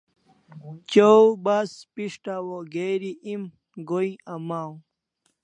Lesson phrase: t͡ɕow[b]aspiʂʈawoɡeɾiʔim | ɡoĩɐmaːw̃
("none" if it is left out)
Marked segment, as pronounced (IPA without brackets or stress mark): b